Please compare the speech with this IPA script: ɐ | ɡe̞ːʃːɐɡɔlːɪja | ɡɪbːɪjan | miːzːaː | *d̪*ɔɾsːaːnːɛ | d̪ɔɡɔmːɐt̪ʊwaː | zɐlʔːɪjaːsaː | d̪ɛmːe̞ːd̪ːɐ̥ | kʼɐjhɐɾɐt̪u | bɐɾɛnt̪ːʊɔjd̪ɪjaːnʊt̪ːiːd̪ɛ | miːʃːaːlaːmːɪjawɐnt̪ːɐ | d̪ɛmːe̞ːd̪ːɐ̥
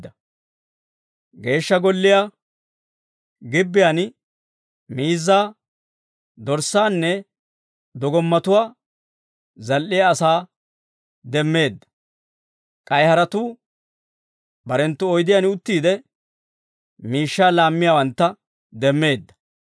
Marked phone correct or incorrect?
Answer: correct